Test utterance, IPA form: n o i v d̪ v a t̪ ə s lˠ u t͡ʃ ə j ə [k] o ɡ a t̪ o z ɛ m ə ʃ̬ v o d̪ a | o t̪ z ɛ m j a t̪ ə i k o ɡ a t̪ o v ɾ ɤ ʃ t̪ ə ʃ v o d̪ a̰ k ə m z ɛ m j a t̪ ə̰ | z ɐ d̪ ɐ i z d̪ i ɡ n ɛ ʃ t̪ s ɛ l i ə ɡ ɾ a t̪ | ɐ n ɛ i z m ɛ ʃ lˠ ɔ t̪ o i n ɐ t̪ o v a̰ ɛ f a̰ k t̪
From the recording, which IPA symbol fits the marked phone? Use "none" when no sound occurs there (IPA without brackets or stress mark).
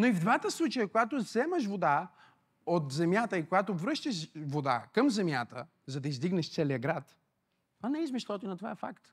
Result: k